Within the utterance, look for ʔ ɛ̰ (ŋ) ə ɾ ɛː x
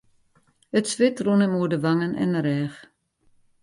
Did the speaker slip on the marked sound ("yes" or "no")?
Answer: yes